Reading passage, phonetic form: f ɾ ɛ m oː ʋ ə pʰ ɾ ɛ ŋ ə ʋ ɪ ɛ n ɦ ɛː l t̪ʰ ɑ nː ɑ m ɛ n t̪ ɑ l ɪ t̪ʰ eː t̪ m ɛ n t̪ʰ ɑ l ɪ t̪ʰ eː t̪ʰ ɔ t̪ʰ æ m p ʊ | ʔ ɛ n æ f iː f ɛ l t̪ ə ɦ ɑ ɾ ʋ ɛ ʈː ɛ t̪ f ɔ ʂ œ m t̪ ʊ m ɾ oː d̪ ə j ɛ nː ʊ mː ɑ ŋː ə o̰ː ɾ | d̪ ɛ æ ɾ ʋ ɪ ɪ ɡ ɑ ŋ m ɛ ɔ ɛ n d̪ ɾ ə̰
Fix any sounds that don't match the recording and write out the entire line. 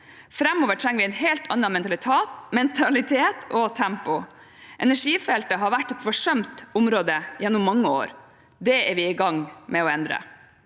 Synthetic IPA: f ɾ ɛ m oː ʋ ə ʈʰ ɾ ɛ ŋ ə ʋ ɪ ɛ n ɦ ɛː l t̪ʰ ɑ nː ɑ m ɛ n t̪ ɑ l ɪ t̪ʰ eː t̪ m ɛ n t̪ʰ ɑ l ɪ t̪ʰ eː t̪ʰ ɔ t̪ʰ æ m p ʊ | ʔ ɛ n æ ʂ iː f ɛ l t̪ ə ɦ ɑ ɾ ʋ æ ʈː ɛ t̪ f ɔ ʂ œ m t̪ ʊ m ɾ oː d̪ ə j ɛ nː ʊ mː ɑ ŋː ə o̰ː ɾ | d̪ ɛ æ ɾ ʋ ɪ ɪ ɡ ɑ ŋ m ɛ ɔ ɛ n d̪ ɾ ə̰